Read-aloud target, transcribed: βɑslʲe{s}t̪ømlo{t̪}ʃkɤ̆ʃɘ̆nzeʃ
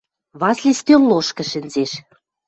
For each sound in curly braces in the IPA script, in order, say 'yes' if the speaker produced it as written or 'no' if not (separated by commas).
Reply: yes, no